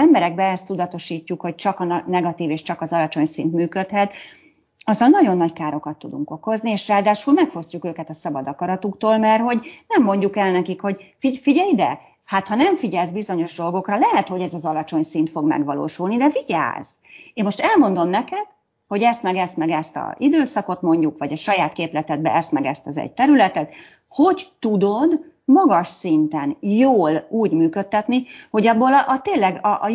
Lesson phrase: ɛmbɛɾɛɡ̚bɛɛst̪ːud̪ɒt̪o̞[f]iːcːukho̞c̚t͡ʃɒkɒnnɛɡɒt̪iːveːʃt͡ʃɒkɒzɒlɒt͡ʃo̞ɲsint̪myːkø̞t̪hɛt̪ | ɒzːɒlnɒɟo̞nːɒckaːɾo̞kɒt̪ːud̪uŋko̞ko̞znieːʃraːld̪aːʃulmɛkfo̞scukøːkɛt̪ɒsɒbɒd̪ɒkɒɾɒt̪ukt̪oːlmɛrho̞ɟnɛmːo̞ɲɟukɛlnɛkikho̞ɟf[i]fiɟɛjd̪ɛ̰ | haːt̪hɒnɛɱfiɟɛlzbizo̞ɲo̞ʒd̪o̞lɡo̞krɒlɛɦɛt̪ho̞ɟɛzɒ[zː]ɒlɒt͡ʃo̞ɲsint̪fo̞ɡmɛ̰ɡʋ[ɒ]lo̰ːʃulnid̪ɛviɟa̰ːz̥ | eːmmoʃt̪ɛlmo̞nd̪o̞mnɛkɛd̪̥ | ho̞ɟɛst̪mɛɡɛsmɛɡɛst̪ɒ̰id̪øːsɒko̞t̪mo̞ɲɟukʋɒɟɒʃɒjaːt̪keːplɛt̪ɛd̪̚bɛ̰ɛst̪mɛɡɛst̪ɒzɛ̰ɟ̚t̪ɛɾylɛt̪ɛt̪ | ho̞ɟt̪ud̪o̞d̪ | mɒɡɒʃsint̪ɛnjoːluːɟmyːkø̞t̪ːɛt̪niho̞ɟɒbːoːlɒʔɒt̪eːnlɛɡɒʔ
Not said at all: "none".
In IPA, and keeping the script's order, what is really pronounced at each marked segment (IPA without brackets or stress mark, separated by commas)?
ʃ, i, z, ɒ